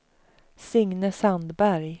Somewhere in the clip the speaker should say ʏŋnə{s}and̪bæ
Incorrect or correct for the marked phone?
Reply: correct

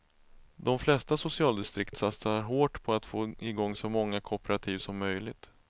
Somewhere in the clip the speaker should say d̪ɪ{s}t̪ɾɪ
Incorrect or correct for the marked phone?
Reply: correct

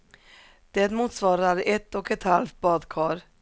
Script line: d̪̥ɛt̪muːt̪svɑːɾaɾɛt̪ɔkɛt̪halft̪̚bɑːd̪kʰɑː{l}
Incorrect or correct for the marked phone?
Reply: incorrect: ɾ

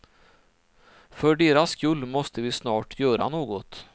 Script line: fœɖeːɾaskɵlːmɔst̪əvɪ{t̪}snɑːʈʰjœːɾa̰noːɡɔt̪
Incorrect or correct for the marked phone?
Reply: incorrect: none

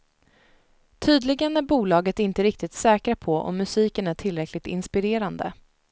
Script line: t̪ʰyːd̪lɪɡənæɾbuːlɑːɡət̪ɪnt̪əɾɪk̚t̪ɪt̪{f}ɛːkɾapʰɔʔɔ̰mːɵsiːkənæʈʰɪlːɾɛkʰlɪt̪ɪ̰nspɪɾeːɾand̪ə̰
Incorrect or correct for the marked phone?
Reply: incorrect: s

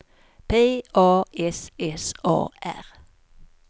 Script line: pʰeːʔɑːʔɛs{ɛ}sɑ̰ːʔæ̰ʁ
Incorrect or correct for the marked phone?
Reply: correct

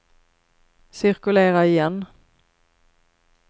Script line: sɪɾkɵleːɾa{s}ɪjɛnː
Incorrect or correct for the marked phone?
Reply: incorrect: none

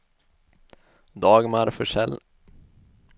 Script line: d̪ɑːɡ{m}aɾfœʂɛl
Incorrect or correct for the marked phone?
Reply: correct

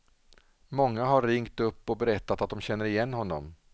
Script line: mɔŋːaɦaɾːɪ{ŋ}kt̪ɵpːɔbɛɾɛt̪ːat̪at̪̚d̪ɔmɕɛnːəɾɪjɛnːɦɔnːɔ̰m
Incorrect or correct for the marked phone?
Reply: correct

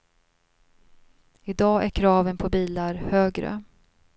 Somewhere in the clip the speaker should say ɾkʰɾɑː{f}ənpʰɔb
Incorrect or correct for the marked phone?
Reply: incorrect: v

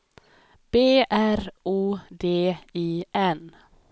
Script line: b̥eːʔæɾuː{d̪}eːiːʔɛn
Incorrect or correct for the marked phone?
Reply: correct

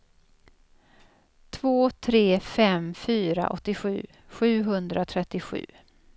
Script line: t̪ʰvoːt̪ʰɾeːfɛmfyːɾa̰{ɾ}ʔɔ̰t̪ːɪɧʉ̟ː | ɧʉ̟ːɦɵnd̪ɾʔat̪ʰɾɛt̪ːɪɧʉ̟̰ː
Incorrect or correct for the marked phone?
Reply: incorrect: none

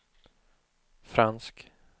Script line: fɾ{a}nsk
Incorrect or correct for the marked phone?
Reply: correct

